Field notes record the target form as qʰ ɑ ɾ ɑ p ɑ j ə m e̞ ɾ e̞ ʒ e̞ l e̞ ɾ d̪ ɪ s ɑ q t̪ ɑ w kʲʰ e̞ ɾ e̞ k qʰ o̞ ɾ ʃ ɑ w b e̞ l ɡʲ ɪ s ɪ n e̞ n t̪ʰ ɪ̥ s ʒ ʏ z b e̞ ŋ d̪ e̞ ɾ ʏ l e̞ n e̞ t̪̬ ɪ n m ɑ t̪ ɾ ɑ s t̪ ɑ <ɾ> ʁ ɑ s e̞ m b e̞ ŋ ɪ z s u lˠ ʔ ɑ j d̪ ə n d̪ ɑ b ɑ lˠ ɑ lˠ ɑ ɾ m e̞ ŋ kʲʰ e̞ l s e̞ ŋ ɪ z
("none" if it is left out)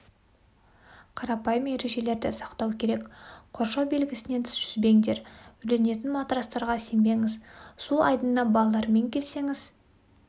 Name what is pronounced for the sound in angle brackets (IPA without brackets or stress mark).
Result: ɾ